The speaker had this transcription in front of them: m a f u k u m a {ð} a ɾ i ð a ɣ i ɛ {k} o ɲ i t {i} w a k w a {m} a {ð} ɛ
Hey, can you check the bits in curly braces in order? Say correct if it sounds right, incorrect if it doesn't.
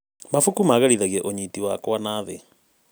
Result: incorrect: ɣ, incorrect: ʔ, correct, incorrect: n, correct

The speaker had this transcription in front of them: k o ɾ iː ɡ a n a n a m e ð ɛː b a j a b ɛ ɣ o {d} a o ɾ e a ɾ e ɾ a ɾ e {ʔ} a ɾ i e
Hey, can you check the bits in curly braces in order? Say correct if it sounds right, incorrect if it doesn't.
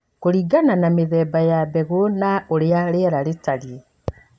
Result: incorrect: n, incorrect: t

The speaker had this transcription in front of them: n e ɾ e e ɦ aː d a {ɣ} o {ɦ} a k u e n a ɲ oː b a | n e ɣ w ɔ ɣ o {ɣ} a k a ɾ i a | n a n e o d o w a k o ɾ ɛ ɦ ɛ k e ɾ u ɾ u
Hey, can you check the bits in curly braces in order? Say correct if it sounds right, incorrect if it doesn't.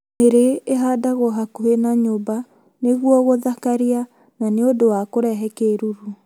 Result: correct, correct, incorrect: ð

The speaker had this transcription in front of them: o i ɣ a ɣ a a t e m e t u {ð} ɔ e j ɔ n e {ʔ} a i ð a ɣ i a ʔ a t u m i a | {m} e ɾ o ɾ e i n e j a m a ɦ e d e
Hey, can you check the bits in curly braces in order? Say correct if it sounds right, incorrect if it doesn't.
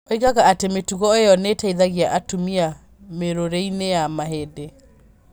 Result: incorrect: ɣ, incorrect: t, correct

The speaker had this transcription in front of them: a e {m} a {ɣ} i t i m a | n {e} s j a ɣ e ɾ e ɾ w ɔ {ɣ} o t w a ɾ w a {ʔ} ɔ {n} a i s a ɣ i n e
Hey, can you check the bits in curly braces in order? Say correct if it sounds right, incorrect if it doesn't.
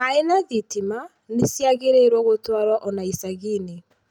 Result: incorrect: n, incorrect: ð, correct, correct, correct, correct

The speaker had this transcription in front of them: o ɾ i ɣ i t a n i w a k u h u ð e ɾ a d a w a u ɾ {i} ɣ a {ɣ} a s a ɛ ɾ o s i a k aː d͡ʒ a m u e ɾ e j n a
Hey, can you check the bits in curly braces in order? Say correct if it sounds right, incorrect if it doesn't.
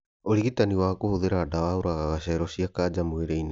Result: incorrect: a, correct

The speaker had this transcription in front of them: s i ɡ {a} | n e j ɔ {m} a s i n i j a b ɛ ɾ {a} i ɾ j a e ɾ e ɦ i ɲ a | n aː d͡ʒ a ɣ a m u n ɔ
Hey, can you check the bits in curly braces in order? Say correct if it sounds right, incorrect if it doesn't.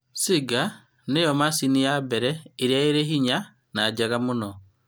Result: correct, correct, incorrect: ɛ

